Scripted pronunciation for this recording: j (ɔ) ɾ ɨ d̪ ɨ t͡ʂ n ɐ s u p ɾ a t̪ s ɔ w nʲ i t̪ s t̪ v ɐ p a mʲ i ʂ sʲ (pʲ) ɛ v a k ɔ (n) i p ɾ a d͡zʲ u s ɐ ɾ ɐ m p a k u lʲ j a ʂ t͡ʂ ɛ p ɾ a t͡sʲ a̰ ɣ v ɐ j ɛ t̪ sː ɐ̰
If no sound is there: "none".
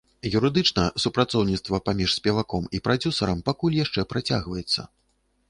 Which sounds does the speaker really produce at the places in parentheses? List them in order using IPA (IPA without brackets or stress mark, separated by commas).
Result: u, pʲ, m